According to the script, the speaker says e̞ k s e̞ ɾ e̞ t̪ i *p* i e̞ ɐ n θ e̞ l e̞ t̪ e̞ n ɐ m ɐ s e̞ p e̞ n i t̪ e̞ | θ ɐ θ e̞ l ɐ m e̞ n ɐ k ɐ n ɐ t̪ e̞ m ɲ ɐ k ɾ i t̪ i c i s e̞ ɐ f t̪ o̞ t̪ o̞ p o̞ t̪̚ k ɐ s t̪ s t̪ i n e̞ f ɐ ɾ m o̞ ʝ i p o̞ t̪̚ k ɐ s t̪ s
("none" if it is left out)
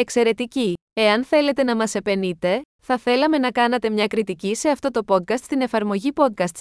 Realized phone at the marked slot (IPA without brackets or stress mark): c